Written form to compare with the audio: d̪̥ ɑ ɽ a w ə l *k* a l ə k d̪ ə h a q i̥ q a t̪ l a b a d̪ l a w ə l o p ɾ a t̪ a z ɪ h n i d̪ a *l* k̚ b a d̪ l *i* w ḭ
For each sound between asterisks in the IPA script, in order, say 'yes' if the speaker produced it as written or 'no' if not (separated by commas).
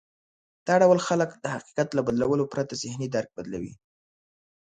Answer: no, no, no